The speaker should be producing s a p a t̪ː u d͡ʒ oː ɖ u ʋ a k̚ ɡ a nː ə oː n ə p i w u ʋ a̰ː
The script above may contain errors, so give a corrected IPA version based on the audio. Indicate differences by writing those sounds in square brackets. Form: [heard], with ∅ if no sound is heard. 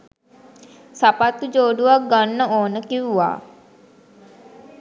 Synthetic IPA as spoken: s a p a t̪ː u d͡ʒ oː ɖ u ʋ a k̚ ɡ a nː ə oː n ə [k] i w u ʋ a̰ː